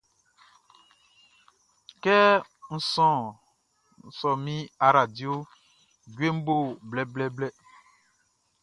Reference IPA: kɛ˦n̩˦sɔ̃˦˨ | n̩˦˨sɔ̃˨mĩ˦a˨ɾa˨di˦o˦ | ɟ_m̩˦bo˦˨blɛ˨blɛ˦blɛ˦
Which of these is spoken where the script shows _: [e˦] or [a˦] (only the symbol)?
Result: e˦